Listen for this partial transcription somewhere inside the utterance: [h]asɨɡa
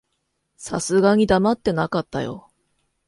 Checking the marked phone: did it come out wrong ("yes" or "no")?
yes